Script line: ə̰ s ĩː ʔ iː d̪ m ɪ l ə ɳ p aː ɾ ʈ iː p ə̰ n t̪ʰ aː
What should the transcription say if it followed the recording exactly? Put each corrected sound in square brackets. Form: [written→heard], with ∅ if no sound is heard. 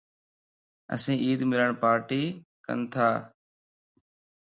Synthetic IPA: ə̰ s ĩː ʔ iː d̪ m ɪ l ə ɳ p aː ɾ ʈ iː [p→k] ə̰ n t̪ʰ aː